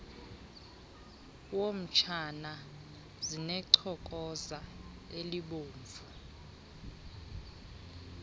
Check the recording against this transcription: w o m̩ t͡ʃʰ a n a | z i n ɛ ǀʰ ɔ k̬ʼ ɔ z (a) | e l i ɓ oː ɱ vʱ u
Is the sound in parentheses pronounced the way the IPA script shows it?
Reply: yes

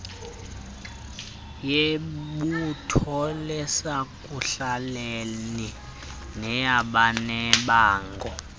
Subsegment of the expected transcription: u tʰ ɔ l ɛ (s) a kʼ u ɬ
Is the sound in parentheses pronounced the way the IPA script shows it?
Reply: yes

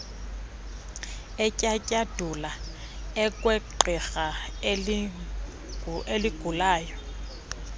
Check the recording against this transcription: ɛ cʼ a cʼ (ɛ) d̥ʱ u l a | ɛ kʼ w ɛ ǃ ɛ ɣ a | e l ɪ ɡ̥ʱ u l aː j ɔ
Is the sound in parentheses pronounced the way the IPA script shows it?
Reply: no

